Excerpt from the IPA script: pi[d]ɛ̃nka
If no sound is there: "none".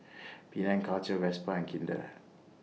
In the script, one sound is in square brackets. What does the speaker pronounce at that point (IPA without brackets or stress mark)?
n